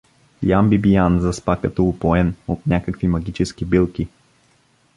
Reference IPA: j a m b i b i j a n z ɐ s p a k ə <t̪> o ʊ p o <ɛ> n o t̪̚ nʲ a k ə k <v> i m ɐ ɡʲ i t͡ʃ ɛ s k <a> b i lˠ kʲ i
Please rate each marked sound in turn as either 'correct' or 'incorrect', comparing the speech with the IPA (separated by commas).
correct, correct, correct, incorrect